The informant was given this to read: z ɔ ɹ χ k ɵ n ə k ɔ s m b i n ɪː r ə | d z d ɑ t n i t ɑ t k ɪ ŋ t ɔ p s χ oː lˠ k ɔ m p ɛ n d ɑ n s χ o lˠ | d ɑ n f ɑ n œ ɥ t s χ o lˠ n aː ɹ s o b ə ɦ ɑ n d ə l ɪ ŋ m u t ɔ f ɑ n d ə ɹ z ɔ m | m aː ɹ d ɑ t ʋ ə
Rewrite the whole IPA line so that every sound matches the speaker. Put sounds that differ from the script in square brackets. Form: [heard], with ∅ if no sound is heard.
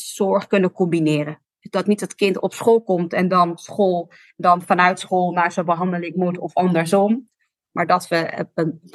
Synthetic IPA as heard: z ɔ ɹ χ k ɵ n ə k ɔ [∅] m b i n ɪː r ə | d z d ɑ t n i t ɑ t k ɪ [n] t ɔ p s χ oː lˠ k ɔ m [t] ɛ n d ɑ n s χ o lˠ | d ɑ n f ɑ n œ ɥ t s χ o lˠ n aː ɹ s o b ə ɦ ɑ n d ə l ɪ ŋ m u t ɔ f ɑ n d ə ɹ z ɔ m | m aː ɹ d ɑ t ʋ ə